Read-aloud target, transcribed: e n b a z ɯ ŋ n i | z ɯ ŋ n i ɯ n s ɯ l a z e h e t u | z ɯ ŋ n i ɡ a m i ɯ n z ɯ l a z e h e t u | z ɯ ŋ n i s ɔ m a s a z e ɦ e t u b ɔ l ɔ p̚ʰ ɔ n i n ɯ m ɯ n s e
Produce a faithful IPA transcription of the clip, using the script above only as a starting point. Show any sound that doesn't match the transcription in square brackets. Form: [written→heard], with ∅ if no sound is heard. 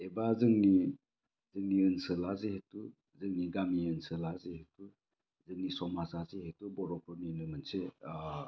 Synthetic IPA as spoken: e [n→∅] b a z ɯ ŋ n i | z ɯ ŋ n i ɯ n s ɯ l a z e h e t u | z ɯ ŋ n i ɡ a m i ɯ n [z→s] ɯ l a z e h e t u | z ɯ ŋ n i s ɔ m a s a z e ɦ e t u b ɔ [l→ɾ] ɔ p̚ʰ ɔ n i n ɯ m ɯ n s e